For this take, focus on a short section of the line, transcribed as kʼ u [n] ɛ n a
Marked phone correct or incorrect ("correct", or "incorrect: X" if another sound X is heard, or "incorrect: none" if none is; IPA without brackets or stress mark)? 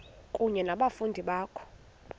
incorrect: ɲ